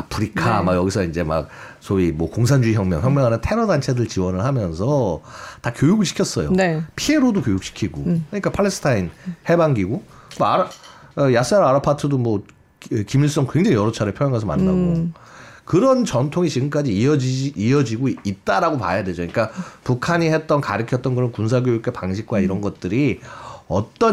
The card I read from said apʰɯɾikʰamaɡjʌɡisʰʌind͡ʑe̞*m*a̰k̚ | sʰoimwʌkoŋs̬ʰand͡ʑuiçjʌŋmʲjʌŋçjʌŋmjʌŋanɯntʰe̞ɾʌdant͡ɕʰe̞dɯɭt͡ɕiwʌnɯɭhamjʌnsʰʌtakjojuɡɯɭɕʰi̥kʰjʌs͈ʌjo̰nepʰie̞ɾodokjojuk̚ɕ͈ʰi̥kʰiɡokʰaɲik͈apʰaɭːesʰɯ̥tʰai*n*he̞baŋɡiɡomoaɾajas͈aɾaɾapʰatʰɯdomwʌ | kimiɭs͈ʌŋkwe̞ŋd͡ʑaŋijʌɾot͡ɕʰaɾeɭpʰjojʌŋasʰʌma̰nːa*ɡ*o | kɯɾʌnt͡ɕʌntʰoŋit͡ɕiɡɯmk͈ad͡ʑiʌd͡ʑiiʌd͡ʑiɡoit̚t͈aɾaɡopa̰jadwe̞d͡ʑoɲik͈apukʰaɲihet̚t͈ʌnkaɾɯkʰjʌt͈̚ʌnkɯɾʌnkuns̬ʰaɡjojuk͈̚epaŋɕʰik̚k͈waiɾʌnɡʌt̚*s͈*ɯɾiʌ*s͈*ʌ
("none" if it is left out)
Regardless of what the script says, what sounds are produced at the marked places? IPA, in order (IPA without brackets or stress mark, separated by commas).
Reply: m, n, ɡ, t͈, t͈